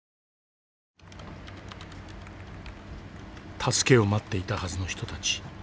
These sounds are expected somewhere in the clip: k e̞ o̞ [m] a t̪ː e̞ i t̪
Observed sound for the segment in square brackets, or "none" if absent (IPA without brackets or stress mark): m